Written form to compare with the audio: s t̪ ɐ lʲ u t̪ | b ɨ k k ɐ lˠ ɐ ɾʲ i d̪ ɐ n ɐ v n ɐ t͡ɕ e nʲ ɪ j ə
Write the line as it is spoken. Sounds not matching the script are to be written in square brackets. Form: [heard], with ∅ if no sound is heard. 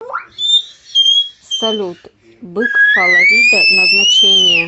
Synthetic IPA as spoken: s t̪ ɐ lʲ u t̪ | b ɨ k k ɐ lˠ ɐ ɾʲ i d̪ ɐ n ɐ [z] n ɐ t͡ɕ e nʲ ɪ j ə